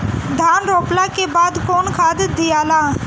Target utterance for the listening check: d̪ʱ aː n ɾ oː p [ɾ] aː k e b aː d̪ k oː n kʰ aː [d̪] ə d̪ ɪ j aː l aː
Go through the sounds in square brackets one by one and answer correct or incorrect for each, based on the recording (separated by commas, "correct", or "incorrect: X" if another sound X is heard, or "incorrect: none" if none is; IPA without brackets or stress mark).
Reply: incorrect: l, correct